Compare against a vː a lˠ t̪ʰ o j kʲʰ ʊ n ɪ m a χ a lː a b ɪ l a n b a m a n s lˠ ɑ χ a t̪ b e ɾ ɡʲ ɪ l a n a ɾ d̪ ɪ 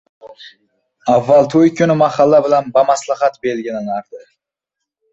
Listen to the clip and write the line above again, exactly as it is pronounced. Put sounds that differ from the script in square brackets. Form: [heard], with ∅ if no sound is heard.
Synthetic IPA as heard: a vː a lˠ t̪ʰ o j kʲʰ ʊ n ɪ m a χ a lː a b ɪ l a n b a m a [∅] s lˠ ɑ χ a t̪ b e [l] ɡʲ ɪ l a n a ɾ d̪ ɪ